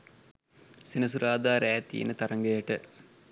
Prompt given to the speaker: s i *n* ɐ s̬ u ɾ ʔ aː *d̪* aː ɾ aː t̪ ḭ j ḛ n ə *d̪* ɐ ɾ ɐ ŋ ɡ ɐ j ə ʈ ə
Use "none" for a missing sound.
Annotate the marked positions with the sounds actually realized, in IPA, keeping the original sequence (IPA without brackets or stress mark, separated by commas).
n, d̪, t̪